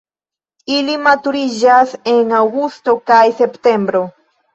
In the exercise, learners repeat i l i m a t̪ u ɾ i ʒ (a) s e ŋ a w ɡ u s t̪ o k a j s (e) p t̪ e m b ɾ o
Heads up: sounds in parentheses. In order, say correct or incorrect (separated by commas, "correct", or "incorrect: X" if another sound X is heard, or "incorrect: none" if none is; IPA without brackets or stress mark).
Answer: correct, correct